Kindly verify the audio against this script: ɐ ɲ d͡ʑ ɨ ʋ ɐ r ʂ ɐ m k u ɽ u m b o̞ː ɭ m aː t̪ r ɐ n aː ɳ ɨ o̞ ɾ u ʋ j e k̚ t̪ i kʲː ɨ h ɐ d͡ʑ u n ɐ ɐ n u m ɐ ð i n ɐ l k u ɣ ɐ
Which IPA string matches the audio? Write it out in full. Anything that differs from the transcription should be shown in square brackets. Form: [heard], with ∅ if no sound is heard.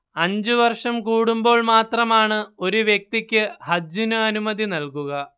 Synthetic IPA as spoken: ɐ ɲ d͡ʑ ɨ ʋ ɐ r ʂ ɐ m k [uː] ɽ u m b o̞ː ɭ m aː t̪ r ɐ [m] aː ɳ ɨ o̞ ɾ u ʋ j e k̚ t̪ i kʲː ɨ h ɐ d͡ʑ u n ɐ ɐ n u m ɐ ð i n ɐ l k u ɣ ɐ